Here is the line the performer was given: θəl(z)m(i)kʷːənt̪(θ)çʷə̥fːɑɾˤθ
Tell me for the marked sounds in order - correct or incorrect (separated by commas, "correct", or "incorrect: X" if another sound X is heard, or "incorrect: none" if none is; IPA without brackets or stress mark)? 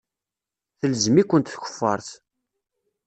correct, correct, correct